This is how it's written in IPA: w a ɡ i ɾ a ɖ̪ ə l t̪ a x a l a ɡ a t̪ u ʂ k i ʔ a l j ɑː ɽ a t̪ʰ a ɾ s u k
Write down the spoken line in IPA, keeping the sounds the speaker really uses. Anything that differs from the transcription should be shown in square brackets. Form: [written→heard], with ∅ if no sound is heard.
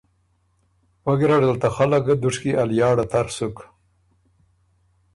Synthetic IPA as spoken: w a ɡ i ɾ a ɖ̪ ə l t̪ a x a l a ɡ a [t̪→d̪] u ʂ k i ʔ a l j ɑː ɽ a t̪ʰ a ɾ s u k